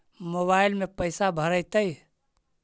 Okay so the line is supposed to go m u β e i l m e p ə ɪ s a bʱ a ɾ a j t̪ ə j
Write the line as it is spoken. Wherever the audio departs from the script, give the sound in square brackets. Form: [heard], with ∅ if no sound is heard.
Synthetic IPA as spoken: m [o] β [a] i l m e p ə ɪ s a bʱ [ə] ɾ [ə] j t̪ ə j